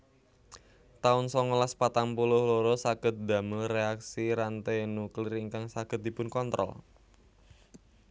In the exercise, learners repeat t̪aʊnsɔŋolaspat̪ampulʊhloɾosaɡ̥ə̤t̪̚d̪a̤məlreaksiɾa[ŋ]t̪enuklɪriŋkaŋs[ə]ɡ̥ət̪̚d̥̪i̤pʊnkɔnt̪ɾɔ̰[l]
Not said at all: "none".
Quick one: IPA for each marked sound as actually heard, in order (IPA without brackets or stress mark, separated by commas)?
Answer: n, a, l